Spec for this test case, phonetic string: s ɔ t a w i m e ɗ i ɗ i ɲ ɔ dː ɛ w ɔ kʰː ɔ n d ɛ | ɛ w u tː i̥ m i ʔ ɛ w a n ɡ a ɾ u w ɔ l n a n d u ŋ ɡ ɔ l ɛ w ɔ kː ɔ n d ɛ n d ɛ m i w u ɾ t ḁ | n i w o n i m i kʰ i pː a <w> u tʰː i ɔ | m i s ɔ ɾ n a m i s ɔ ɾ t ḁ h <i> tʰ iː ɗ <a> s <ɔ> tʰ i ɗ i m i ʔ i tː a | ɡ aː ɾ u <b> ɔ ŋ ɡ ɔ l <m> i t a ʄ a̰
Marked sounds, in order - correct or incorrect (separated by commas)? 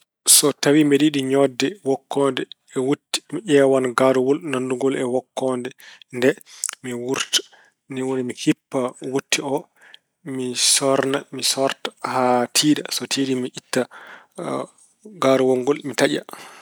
correct, incorrect, correct, correct, incorrect, correct